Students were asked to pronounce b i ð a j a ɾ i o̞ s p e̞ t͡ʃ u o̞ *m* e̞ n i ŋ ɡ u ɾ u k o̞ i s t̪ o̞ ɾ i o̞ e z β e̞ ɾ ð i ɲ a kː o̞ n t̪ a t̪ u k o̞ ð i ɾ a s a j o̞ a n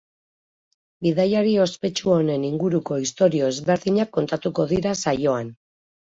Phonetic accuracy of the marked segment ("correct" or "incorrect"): incorrect